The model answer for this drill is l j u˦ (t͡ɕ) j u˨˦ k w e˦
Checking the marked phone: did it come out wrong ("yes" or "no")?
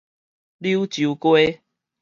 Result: no